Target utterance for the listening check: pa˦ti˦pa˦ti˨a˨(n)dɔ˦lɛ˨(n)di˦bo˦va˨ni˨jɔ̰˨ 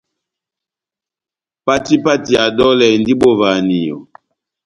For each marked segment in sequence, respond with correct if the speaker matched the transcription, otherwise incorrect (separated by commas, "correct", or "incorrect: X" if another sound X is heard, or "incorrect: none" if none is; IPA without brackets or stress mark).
incorrect: none, correct